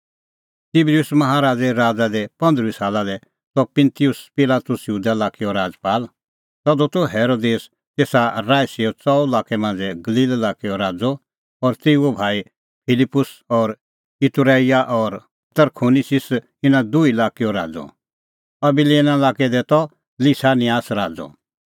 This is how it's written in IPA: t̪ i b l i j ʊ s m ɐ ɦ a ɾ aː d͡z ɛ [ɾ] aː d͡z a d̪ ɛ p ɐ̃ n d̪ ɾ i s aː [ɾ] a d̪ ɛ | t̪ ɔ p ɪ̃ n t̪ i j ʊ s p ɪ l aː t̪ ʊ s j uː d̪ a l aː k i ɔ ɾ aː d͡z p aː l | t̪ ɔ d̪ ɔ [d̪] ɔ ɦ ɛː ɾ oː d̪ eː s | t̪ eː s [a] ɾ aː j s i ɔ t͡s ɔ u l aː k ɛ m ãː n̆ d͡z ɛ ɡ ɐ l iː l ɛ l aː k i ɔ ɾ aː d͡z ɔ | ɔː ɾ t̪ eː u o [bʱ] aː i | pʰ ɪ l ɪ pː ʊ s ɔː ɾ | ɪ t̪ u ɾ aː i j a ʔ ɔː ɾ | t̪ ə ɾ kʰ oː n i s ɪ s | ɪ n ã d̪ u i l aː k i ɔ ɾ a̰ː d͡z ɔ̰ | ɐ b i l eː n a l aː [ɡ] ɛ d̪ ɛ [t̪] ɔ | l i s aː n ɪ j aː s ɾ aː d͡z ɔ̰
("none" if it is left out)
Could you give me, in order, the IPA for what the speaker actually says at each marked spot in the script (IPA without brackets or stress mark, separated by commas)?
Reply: ɾ, l, t̪, a, bʱ, k, t̪